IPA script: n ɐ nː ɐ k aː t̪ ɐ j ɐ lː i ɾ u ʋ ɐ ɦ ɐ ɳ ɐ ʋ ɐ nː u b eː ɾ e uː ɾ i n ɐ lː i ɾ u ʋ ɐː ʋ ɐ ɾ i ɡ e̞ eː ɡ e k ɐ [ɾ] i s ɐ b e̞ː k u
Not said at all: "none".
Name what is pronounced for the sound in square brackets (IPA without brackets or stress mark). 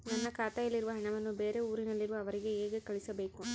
ɭ